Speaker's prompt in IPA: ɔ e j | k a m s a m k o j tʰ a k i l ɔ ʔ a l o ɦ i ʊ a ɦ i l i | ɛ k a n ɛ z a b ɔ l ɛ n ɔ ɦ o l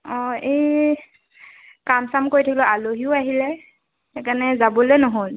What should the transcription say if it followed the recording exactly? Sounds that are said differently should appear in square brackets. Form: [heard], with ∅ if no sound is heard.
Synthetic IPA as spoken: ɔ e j | k a m s a m k o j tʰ a k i l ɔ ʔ a l o ɦ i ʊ a ɦ i l [ɛ] | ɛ k a n ɛ z a b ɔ l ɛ n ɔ ɦ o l